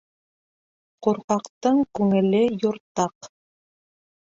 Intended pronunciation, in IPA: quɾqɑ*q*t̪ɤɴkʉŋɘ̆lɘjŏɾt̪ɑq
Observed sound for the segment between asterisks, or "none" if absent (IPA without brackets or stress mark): q